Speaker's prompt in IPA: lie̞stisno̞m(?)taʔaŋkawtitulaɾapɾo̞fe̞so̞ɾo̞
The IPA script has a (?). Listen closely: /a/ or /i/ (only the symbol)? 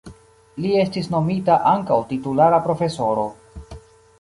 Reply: i